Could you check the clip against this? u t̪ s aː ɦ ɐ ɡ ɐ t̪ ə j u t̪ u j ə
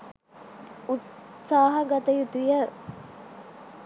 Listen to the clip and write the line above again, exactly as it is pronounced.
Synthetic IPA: u t̪ s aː ɦ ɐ ɡ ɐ t̪ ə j u t̪ u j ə